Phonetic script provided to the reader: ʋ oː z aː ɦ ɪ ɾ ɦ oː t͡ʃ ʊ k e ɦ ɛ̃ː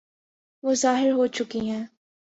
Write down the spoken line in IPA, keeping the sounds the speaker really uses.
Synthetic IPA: ʋ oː z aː ɦ ɪ ɾ ɦ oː t͡ʃ ʊ k i ɦ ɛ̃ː